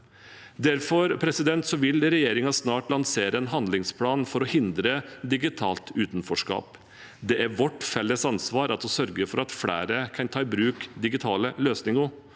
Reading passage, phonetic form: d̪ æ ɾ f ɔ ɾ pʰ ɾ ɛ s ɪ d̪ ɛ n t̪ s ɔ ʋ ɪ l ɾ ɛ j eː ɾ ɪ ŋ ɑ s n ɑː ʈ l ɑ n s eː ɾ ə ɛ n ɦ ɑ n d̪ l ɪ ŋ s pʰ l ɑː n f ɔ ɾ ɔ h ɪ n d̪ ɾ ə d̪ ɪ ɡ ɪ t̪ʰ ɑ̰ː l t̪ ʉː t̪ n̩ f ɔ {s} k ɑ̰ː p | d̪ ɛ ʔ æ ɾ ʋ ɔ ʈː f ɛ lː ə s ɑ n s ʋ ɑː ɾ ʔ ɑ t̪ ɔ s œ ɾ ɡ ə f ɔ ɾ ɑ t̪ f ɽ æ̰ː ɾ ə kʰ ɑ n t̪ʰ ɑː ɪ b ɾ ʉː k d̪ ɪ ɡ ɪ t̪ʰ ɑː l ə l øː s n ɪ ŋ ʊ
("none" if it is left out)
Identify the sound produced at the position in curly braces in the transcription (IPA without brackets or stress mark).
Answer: ʂ